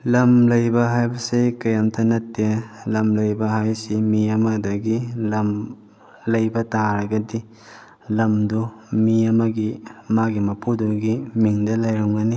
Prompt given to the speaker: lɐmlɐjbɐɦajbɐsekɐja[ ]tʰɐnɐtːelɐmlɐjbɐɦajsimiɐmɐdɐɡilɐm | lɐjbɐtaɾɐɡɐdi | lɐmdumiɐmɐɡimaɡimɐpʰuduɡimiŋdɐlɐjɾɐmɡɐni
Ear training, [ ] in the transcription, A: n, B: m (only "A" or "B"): B